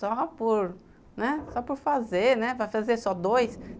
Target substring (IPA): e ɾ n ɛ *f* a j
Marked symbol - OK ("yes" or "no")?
no